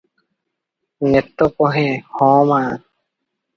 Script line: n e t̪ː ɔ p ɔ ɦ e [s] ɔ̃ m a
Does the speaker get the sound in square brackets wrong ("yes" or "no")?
yes